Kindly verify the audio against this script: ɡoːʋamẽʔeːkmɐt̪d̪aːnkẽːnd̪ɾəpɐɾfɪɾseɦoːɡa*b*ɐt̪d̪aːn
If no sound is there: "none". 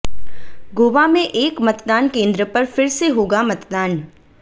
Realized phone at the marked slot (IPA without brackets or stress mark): m